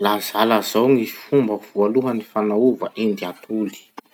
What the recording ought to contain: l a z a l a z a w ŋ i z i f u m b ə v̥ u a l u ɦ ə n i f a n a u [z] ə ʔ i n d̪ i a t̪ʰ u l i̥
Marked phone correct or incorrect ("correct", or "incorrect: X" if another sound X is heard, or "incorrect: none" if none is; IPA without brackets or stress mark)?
incorrect: v